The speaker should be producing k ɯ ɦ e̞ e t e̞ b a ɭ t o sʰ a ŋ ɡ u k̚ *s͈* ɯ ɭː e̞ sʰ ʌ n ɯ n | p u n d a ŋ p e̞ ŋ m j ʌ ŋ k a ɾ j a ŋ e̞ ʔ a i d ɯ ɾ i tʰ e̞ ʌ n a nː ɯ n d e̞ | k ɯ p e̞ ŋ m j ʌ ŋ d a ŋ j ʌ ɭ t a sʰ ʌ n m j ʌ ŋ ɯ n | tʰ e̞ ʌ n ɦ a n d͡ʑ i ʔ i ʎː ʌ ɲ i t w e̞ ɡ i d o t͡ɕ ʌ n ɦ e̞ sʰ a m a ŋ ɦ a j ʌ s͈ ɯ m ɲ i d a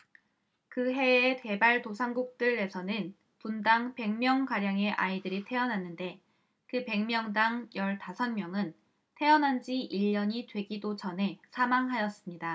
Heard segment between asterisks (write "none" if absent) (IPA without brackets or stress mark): t͈